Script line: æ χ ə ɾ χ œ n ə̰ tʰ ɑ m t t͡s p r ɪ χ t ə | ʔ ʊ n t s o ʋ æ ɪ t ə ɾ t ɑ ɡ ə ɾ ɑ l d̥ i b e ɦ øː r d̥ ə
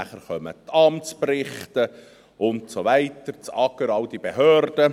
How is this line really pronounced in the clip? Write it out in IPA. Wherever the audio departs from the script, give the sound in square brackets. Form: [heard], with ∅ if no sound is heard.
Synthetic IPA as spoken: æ χ ə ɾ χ œ [m] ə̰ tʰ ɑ m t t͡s p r ɪ χ t ə | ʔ ʊ n t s o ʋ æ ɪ t ə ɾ [t͡s] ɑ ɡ ə ɾ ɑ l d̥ i b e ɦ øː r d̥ ə